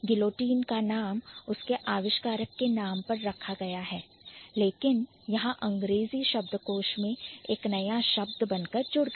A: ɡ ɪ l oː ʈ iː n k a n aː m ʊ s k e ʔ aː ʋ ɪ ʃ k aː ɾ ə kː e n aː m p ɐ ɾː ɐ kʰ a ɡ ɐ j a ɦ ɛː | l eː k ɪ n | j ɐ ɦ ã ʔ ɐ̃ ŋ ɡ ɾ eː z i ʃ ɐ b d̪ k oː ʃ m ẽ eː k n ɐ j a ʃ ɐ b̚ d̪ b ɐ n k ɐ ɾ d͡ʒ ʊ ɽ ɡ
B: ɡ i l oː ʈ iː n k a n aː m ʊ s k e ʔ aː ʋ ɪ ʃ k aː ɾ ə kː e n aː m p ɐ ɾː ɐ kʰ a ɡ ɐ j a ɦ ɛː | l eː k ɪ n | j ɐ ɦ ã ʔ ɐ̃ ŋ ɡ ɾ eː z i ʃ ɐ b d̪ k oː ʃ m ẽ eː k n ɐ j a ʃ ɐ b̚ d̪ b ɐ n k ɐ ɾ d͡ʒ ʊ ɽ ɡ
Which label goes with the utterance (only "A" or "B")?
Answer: A